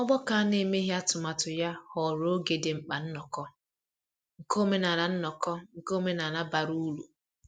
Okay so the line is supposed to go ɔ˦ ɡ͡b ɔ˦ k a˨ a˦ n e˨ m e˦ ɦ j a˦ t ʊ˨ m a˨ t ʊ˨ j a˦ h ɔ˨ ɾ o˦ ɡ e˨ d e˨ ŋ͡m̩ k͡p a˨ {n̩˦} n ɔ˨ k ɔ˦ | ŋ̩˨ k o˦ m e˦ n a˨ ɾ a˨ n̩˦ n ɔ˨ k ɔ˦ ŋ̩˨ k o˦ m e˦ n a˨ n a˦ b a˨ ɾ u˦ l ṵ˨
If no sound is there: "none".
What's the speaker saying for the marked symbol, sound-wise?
n̩˦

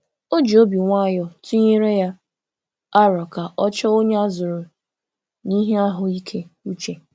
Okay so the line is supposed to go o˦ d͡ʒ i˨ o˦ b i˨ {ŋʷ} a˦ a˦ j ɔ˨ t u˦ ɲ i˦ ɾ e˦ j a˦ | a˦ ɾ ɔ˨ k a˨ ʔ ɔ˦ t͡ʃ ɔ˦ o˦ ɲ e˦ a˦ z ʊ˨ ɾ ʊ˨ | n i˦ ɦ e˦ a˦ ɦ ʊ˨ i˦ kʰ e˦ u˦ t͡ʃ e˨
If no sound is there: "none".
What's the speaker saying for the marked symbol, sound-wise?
ŋʷ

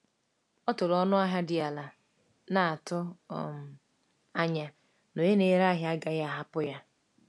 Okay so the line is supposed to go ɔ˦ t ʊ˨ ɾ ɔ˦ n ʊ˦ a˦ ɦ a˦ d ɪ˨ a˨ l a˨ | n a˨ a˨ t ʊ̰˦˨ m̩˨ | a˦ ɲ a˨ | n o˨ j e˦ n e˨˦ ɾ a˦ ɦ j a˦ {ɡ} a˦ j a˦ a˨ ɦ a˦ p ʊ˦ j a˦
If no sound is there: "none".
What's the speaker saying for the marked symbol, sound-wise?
ɡ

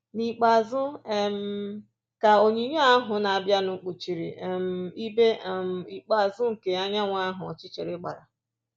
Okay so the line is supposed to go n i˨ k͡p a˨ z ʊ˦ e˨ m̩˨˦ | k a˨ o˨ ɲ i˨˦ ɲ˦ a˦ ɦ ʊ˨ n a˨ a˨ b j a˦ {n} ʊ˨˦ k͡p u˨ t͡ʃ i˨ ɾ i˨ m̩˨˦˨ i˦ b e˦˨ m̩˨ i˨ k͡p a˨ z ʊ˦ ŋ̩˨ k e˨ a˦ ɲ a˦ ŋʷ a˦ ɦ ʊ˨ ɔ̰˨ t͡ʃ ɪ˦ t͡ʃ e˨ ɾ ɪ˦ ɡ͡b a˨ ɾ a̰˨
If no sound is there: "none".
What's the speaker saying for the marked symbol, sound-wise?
n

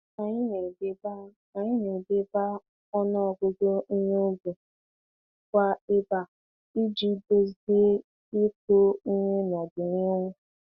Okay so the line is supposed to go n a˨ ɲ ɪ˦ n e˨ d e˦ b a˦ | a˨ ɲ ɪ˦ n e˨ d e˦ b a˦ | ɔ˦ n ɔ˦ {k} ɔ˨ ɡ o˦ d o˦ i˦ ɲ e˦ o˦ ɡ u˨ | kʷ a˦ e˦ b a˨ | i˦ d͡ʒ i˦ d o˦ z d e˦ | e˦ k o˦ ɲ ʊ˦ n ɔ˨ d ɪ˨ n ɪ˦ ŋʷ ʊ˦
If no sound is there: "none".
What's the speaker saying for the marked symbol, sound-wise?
none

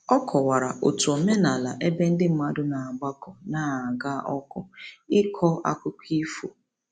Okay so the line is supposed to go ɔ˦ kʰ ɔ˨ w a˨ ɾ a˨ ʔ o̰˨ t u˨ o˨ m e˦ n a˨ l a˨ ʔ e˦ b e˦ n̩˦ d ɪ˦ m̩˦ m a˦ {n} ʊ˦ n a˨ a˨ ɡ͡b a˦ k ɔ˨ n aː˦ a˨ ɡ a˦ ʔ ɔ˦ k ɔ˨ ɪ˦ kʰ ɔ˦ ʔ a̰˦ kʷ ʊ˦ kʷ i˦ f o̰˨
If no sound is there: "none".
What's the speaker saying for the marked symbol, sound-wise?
d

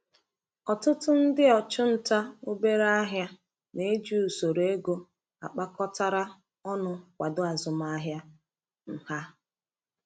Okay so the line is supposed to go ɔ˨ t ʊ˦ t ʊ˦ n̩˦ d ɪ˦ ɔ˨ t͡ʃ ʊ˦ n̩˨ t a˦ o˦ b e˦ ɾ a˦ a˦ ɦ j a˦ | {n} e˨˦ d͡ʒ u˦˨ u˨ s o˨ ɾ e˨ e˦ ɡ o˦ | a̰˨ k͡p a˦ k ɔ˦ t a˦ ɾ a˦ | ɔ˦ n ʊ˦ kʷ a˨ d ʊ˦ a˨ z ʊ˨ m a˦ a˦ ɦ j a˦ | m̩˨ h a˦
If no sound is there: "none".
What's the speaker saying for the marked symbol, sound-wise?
n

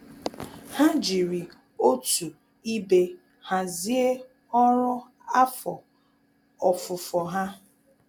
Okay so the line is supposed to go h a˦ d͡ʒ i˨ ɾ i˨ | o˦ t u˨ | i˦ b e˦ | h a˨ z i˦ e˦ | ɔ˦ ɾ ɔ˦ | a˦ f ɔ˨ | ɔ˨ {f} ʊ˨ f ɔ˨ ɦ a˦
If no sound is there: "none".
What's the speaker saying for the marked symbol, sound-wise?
f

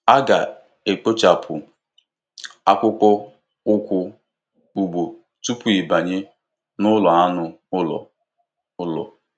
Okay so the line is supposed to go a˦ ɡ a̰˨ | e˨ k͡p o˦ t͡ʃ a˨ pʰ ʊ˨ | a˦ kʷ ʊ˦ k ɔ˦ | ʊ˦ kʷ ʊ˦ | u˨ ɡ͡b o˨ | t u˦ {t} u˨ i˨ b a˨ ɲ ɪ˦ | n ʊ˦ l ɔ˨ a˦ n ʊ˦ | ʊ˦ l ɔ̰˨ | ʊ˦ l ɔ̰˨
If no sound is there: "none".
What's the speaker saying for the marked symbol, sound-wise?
p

